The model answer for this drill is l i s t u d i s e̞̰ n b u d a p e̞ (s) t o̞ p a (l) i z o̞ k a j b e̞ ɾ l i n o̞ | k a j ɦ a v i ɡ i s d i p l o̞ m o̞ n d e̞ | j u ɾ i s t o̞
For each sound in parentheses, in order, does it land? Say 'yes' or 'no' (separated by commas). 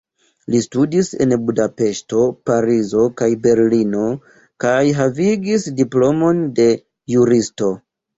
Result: no, no